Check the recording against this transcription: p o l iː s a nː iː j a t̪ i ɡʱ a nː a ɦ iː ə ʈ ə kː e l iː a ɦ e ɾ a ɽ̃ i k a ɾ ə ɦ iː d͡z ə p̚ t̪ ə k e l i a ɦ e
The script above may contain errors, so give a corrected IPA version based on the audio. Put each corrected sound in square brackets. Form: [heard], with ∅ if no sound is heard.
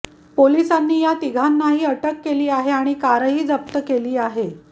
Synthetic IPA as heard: p o l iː s a nː iː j a t̪ i ɡʱ a nː a ɦ iː ə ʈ ə kː e l iː a ɦ e [∅] a ɽ̃ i k a ɾ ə ɦ iː d͡z ə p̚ t̪ ə k e l [iː] a ɦ e